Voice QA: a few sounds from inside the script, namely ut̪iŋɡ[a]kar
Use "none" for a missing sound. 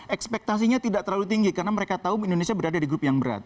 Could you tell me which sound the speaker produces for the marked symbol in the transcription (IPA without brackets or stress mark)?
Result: i